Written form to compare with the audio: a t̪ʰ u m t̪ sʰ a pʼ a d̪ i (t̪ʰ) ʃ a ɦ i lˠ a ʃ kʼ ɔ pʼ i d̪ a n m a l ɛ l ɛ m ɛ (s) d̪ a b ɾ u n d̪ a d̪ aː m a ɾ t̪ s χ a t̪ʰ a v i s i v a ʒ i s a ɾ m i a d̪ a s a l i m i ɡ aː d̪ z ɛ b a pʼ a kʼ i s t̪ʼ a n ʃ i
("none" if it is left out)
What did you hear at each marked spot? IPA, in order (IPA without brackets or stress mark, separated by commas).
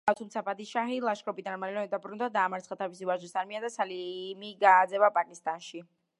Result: none, none